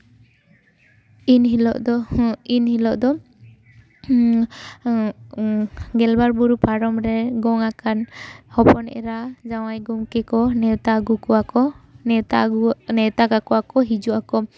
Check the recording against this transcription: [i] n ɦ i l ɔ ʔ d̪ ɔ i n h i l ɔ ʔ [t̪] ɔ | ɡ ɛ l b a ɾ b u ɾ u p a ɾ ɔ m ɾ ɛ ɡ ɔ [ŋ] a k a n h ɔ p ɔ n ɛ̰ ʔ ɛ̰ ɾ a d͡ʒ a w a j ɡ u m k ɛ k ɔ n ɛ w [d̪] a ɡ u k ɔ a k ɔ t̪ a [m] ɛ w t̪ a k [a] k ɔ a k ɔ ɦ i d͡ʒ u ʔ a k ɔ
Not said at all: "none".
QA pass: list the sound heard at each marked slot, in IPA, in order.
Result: i, d̪, ŋ, t̪, n, a

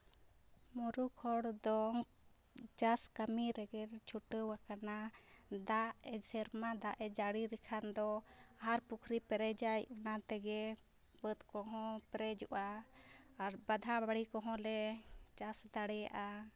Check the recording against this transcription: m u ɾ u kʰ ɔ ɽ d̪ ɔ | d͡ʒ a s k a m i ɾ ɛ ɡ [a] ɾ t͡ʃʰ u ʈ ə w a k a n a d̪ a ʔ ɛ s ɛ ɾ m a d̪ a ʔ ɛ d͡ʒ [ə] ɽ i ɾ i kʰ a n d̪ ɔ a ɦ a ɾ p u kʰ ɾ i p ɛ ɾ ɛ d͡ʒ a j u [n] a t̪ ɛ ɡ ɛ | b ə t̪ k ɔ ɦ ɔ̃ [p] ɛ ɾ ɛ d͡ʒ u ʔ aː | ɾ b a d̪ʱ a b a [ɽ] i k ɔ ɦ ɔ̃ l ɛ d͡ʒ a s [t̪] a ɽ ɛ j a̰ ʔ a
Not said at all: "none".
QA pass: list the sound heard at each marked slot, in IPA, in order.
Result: ɛ, a, n, p, ɽ, d̪

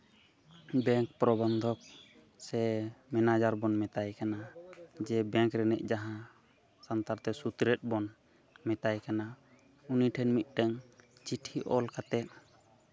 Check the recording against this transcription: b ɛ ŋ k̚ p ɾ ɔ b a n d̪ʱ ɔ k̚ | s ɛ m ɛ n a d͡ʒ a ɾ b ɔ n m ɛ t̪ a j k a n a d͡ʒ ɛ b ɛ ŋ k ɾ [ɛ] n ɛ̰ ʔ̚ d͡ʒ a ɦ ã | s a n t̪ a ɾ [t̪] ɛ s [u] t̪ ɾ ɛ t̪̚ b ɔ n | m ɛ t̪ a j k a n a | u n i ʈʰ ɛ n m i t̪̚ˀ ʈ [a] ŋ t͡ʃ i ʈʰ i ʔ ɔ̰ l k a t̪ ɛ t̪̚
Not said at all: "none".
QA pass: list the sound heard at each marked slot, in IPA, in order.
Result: ɛ, t̪, u, ɛ

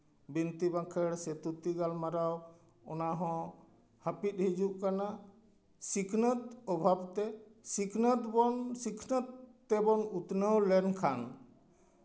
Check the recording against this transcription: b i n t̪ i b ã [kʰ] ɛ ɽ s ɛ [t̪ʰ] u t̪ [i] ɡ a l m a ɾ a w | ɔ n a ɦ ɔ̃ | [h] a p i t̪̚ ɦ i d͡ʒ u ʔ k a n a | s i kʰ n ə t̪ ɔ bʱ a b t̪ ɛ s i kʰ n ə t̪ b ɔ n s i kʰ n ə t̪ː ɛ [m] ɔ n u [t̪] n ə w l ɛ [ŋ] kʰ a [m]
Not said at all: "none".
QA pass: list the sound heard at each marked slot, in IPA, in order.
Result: kʰ, t̪, i, h, b, t̪, n, n

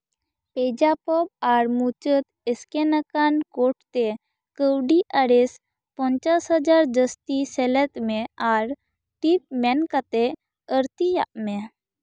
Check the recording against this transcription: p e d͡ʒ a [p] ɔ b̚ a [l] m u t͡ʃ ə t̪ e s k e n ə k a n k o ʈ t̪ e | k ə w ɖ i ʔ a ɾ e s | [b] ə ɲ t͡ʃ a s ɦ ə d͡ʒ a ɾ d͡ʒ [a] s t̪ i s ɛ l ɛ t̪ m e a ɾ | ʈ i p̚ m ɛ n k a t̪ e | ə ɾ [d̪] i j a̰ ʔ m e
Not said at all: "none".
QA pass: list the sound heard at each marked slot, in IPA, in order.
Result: p, ɾ, p, ə, t̪

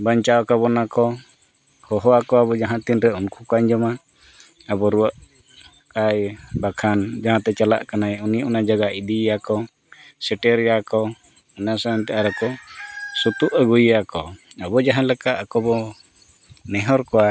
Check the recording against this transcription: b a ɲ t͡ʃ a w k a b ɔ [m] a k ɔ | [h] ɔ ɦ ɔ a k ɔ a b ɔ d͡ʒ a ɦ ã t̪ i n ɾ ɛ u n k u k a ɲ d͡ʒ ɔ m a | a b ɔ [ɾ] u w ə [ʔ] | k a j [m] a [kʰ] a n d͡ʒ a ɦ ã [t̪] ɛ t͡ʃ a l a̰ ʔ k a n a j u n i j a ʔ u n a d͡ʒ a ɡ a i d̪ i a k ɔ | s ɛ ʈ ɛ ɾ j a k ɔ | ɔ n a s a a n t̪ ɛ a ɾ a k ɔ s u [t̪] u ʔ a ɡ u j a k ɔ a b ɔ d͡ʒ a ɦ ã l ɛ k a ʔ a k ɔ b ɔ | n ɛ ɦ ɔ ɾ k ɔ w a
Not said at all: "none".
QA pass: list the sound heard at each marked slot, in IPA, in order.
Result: n, h, ɾ, ʔ, b, kʰ, t̪, t̪

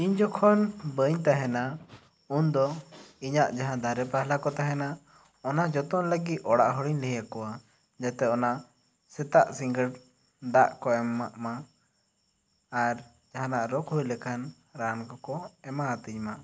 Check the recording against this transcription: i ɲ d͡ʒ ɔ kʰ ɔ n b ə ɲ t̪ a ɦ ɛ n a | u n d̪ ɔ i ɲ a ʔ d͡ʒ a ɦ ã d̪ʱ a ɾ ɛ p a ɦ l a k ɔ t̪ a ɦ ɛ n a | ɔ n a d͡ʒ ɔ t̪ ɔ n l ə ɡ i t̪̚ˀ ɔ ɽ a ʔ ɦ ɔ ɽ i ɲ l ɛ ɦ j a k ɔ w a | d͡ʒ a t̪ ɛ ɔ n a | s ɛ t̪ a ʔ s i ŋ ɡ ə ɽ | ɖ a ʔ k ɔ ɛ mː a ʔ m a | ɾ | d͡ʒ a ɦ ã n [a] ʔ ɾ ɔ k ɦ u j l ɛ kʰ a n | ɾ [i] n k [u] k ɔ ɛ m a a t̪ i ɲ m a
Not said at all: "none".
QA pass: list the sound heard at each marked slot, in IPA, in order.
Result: a, a, ɔ

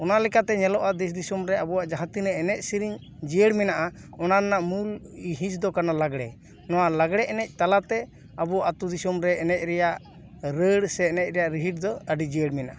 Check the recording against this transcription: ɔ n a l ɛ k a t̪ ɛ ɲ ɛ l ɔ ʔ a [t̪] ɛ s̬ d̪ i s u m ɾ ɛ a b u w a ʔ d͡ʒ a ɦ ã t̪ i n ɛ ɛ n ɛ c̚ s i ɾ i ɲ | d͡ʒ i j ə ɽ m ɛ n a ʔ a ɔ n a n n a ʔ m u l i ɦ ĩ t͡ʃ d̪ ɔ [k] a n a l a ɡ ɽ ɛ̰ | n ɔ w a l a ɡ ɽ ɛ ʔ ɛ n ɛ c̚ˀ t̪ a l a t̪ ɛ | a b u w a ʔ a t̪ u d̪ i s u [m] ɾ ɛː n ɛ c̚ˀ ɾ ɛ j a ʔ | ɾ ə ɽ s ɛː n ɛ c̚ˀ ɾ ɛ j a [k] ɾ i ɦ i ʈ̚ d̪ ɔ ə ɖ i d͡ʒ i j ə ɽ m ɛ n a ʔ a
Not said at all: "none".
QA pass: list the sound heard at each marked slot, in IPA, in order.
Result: d̪, k, m, ʔ

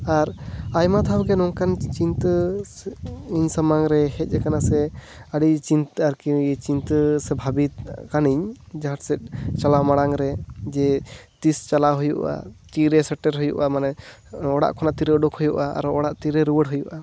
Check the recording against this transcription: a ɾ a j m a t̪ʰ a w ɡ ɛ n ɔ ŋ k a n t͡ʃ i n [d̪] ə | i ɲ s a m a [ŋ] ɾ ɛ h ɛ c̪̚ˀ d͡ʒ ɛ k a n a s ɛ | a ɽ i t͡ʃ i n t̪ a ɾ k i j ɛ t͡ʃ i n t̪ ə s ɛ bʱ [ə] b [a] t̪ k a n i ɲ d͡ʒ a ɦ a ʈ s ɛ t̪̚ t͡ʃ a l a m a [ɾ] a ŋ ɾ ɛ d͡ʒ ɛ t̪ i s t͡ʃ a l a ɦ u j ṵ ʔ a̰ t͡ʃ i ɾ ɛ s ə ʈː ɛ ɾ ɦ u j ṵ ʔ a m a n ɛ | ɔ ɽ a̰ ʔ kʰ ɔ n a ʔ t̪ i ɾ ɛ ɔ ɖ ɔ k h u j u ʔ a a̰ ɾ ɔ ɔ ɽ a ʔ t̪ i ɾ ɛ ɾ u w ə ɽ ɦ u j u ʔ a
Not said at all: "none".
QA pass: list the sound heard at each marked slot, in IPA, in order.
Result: t̪, ŋ, a, i, ɽ

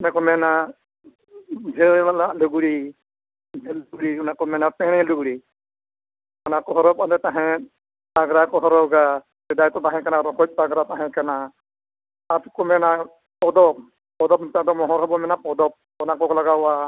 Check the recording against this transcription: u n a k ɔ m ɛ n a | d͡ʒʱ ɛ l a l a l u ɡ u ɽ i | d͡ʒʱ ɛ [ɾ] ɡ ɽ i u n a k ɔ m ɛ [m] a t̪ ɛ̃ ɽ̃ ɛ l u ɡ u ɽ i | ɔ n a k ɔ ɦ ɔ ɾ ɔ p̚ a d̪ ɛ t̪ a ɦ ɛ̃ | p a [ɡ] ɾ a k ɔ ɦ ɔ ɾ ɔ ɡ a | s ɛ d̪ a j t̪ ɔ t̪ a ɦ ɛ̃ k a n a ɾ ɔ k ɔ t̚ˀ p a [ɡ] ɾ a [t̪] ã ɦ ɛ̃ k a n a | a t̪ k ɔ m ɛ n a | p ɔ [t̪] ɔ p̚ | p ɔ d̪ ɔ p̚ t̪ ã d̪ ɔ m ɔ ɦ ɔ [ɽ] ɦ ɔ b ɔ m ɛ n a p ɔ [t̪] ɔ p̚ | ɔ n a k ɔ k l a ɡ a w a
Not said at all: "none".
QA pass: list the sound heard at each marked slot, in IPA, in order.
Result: l, n, ɡ, ɡ, t̪, d̪, ɾ, d̪

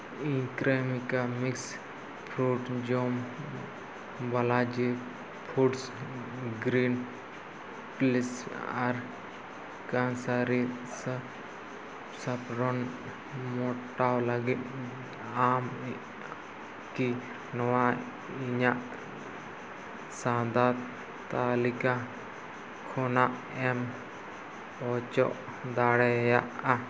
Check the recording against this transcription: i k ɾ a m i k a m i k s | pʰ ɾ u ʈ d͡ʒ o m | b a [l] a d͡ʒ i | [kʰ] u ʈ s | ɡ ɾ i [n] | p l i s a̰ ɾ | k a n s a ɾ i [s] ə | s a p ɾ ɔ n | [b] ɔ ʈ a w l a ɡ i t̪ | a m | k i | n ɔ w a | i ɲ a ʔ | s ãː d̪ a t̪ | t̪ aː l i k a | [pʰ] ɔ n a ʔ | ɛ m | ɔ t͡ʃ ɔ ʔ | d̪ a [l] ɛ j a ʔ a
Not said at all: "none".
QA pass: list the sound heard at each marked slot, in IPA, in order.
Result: l, pʰ, n, s, m, kʰ, ɽ

